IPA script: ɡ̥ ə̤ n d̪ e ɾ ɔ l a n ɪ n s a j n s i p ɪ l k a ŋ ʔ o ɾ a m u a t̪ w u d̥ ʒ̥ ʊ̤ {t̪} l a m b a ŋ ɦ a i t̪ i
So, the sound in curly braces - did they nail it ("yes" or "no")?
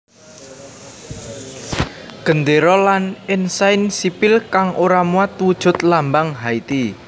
yes